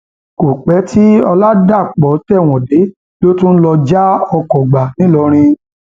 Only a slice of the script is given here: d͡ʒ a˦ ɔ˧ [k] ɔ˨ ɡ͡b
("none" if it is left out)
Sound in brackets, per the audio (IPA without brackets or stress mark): k